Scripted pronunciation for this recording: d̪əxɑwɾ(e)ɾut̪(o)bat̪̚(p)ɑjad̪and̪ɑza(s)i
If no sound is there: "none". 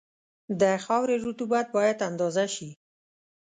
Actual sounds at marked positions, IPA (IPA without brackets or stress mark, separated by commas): e, u, b, ʃ